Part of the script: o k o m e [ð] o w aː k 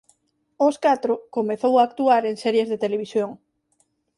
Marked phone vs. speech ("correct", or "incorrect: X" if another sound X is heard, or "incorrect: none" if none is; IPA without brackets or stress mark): incorrect: θ